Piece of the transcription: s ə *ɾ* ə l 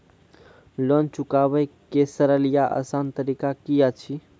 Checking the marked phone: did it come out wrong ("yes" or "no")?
no